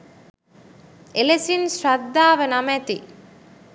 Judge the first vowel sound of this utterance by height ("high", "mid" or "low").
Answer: mid